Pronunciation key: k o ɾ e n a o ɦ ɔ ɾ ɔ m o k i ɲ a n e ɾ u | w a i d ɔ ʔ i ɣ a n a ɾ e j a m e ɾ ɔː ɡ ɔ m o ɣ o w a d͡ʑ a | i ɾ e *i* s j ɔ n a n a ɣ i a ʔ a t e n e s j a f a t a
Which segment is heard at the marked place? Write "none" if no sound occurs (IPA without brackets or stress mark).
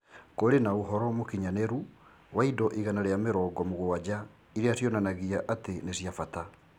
a